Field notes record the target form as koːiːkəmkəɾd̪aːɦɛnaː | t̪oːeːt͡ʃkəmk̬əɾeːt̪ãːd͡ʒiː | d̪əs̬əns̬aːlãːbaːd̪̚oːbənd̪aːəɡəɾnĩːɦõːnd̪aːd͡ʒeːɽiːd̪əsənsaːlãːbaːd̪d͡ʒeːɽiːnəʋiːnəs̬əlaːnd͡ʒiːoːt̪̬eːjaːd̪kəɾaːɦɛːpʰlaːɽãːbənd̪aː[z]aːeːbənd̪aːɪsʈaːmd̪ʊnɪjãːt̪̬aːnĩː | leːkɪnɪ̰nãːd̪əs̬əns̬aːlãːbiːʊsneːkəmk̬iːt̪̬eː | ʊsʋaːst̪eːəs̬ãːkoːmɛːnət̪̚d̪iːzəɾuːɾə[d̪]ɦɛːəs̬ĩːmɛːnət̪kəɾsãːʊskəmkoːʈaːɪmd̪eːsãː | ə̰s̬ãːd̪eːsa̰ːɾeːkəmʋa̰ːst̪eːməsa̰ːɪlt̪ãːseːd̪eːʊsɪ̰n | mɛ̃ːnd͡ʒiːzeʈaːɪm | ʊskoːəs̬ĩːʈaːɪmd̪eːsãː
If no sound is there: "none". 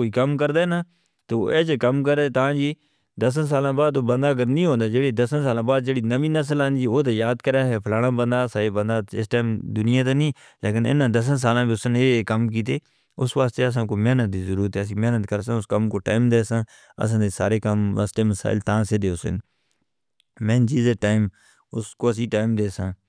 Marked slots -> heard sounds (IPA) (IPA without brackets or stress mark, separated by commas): s, t̪